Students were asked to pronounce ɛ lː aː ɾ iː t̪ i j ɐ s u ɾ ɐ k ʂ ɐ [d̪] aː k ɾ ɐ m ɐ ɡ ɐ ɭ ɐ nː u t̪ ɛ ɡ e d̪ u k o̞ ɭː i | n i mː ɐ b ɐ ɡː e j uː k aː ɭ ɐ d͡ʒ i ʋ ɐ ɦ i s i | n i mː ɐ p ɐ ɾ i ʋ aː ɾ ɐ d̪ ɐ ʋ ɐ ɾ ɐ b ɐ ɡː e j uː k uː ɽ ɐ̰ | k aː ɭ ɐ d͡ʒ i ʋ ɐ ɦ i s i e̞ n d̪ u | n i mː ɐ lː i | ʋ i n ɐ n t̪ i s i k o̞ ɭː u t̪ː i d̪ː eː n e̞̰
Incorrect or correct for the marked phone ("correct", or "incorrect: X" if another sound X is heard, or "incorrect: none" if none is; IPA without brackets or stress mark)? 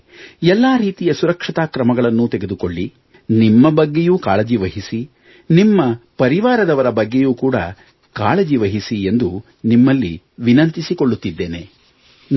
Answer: incorrect: t̪